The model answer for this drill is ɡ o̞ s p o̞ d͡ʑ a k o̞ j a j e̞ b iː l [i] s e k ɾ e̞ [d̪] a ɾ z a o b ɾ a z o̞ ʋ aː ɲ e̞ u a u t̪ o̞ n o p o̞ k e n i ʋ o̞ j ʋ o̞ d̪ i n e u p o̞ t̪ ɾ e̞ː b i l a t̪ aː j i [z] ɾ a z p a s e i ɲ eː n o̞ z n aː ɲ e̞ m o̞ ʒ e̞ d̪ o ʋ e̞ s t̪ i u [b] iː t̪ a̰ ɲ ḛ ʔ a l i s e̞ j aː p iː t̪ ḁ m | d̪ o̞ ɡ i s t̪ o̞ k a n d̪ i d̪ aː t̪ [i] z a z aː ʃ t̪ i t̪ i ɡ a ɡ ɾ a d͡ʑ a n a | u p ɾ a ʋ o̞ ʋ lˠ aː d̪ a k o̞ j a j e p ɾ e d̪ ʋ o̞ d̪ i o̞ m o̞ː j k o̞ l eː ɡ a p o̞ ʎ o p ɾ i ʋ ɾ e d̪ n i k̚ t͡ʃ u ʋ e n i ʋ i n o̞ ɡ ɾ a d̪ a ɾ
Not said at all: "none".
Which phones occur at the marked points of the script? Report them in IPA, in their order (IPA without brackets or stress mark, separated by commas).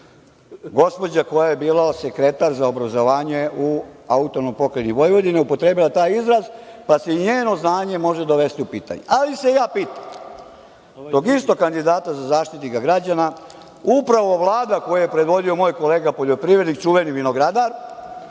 a, t̪, z, p, a